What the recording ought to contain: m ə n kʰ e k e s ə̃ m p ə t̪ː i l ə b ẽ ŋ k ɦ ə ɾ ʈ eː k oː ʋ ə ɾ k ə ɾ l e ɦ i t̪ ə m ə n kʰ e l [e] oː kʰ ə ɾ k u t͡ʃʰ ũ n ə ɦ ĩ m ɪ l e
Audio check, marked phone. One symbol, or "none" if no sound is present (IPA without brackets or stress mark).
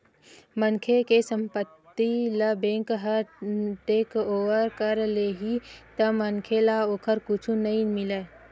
a